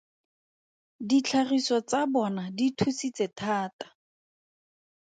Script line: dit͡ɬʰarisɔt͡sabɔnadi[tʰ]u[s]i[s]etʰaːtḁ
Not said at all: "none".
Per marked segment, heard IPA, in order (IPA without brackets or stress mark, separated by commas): tʰ, s, t͡s